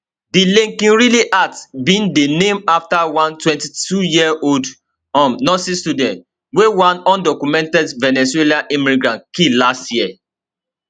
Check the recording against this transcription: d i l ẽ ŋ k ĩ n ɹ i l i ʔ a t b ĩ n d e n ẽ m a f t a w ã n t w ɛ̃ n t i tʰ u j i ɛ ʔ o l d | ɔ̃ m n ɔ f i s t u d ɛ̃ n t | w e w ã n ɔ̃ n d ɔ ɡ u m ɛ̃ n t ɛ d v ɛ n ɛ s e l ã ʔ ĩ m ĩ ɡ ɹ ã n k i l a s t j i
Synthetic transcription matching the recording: d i l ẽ ŋ k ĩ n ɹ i l i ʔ a t b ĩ n d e n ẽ m a f t a w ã n t w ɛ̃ n t i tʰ u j i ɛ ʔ o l d | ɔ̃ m n ɔ s i s t u d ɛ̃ n t | w e w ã n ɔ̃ n d ɔ k u m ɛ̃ n t ɛ d v ɛ n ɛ s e l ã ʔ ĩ m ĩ ɡ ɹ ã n k i l a s t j i